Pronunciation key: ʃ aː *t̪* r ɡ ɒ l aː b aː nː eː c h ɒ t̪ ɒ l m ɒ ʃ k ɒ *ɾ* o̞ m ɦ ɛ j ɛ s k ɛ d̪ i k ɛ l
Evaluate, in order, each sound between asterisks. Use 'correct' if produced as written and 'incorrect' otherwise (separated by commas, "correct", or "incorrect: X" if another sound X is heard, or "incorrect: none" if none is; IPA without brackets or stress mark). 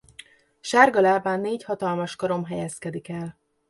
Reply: incorrect: none, correct